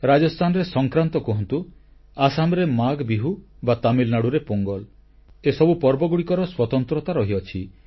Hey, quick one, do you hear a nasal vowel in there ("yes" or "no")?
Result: no